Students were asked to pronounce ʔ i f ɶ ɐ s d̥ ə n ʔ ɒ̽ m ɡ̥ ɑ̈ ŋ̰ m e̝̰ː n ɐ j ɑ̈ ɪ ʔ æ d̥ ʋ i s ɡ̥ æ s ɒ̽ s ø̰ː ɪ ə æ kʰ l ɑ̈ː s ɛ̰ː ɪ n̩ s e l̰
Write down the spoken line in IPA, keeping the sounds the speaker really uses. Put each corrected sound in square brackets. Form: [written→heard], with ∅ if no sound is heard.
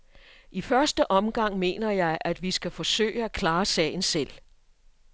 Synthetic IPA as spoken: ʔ i f ɶ ɐ s d̥ ə [n→∅] ʔ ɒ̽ m ɡ̥ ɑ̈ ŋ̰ m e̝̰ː n ɐ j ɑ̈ ɪ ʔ æ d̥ ʋ i s ɡ̥ æ [s→f] ɒ̽ s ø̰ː ɪ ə æ kʰ l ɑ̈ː s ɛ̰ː ɪ n̩ s e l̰